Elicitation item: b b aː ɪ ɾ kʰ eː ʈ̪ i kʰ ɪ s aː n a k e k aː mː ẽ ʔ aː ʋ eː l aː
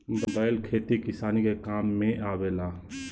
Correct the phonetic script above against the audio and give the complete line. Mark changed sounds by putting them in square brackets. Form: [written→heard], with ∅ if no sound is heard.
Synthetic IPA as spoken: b b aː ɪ [ɾ→l] kʰ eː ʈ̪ i [kʰ→k] ɪ s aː n [a→i] k e k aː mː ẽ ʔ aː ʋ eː l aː